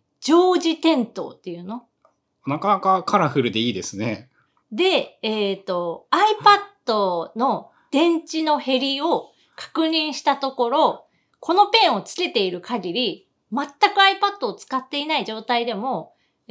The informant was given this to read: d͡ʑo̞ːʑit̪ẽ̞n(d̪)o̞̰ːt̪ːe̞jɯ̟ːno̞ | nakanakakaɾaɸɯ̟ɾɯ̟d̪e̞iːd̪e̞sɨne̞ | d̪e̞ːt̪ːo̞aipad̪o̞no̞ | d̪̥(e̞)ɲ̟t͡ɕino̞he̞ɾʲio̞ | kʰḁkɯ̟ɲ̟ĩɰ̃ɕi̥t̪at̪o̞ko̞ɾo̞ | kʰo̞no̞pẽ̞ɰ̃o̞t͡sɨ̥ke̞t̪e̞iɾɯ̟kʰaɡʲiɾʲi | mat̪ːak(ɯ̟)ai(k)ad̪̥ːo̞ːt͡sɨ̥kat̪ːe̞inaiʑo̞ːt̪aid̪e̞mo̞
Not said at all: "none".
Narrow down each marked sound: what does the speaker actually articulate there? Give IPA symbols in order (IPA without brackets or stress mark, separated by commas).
t̪, ẽ̞, ɯ̟, p